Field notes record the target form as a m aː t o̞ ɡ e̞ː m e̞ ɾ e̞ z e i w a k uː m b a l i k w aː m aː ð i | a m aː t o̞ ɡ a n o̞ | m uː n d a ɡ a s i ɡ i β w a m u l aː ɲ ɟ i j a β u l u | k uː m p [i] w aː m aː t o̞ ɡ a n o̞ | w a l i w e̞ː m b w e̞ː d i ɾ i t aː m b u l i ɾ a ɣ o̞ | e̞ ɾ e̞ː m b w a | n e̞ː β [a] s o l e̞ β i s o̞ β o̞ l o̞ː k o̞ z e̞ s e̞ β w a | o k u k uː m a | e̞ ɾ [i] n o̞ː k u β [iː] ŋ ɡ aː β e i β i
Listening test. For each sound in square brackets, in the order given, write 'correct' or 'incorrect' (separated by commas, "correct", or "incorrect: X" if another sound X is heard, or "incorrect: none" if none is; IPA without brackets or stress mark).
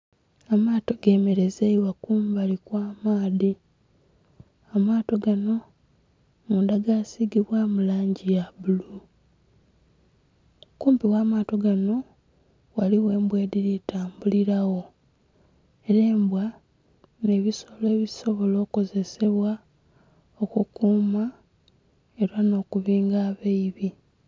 correct, incorrect: i, incorrect: a, correct